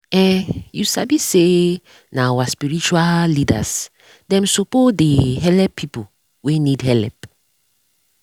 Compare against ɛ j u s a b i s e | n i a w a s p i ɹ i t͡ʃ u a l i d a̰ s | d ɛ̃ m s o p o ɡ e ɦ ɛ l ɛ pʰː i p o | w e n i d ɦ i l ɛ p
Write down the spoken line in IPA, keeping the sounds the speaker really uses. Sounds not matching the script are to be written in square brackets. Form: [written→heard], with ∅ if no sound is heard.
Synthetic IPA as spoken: ɛ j u s a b i s e | n [i→a] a w a s p i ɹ i t͡ʃ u a l i d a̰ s | d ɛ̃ m s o p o [ɡ→d] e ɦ ɛ l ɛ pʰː i p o | w e n i d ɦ [i→ɛ] l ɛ p